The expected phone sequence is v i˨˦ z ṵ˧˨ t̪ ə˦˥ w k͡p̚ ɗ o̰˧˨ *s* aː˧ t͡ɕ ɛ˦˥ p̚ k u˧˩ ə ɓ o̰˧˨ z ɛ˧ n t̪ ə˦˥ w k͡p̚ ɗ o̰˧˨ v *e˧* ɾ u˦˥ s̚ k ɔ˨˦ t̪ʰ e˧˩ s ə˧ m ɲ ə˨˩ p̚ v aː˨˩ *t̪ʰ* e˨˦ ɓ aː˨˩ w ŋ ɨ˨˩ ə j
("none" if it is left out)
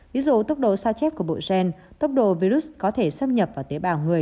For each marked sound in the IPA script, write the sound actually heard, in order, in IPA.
s, i˧, t̪

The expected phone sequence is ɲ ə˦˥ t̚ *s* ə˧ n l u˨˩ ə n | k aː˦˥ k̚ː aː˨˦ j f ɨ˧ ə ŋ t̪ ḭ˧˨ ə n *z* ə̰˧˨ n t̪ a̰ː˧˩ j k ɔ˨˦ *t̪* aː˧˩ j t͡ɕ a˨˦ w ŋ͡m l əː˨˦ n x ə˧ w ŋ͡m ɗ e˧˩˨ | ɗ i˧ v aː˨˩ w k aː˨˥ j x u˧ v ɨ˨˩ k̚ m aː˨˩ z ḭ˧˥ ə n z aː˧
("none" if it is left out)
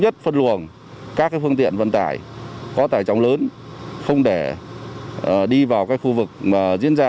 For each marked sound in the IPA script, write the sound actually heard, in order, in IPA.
f, v, t̪

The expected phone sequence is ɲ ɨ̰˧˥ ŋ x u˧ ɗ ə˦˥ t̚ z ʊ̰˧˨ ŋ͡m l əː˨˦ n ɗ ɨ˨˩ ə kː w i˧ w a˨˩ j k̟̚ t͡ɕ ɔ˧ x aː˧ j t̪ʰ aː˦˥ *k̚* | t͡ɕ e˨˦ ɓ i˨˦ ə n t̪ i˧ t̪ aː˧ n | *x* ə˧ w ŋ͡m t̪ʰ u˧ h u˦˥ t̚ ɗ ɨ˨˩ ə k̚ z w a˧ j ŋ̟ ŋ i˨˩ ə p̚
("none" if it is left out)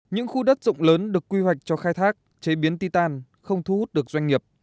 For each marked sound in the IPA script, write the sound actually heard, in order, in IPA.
k̚, x

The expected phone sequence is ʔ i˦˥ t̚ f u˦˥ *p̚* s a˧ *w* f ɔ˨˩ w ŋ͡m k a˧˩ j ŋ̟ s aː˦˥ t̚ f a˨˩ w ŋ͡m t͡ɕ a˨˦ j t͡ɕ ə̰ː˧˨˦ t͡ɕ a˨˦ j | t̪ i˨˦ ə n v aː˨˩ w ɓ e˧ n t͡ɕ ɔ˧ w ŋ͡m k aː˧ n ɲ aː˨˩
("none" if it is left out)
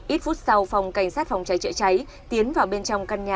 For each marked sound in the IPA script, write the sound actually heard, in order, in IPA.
t̚, w

